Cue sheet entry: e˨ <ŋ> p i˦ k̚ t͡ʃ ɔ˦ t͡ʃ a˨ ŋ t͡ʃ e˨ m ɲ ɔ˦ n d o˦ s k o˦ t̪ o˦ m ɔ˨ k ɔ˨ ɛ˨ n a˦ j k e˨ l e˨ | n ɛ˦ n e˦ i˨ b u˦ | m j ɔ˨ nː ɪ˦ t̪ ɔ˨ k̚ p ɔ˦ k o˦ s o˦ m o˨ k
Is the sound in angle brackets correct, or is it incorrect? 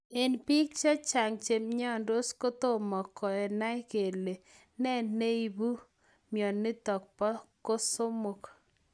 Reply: incorrect: n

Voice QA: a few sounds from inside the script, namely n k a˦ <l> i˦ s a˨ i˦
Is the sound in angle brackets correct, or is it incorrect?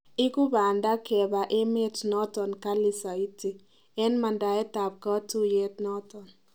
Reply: correct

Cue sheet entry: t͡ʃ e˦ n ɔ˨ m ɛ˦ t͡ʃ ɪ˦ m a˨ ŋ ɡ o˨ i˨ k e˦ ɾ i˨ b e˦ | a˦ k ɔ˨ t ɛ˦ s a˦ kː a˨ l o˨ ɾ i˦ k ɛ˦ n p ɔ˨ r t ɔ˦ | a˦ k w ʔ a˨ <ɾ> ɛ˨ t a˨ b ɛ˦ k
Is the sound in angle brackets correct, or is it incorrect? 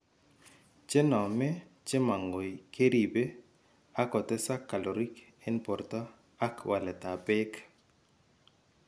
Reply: incorrect: l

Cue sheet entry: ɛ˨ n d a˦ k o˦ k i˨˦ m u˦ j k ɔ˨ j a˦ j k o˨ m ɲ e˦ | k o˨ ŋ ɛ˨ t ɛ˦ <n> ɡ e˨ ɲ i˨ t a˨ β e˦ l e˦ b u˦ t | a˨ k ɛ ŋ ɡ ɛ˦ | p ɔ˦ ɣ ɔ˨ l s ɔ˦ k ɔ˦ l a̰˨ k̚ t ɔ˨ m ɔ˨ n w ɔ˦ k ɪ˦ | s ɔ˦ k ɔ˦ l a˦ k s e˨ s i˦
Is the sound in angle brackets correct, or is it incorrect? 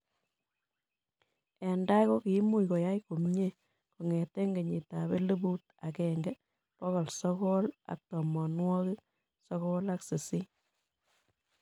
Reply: incorrect: ŋ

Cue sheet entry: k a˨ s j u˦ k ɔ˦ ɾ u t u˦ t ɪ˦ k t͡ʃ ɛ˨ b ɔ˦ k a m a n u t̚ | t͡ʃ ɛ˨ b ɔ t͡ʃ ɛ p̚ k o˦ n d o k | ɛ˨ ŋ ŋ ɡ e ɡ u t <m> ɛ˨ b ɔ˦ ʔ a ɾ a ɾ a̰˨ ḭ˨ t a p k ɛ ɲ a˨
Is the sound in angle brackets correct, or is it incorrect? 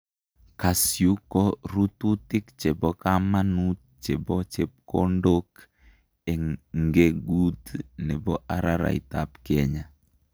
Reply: incorrect: n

